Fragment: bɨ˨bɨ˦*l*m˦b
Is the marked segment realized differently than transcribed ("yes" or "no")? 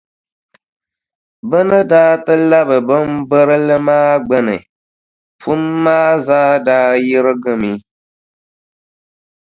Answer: yes